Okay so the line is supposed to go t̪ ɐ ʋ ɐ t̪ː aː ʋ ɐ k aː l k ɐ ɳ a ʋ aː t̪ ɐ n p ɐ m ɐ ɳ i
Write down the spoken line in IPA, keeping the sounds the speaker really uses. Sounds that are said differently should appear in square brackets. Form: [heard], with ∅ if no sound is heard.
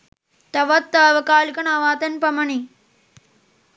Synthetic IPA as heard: t̪ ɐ ʋ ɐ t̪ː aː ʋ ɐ k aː l k ɐ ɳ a ʋ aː t̪ ɐ n p ɐ m ɐ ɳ i